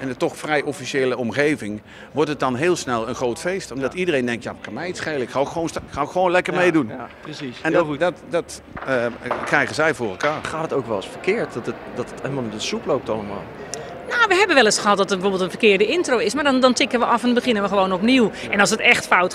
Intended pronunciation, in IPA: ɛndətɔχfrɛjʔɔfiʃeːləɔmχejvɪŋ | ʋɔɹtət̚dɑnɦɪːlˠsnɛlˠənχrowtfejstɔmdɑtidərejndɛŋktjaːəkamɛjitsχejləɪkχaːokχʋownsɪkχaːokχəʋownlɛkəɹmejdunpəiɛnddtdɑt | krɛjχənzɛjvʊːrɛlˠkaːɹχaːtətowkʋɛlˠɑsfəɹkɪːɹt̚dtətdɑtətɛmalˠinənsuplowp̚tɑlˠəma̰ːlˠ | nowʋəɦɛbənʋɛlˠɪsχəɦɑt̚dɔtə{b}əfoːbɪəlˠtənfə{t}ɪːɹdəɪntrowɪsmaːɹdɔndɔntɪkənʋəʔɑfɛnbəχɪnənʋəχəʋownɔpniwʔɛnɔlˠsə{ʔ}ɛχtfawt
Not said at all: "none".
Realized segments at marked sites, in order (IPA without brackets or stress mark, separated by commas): b, k, t